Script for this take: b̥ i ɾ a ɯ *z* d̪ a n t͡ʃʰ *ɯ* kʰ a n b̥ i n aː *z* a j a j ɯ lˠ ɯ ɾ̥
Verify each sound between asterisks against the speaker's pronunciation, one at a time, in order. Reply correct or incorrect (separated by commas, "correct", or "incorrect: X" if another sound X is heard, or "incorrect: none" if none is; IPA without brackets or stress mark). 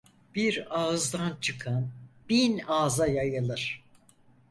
correct, correct, correct